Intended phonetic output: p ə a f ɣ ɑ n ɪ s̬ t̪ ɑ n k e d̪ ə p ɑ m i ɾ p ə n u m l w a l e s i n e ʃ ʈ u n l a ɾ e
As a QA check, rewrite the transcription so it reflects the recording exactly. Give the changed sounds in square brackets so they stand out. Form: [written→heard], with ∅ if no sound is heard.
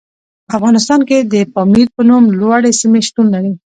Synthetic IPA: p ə a f ɣ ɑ n ɪ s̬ t̪ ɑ n k e d̪ ə p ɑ m i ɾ p ə n u m l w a [l→ɽ] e s i [n→m] e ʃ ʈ u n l a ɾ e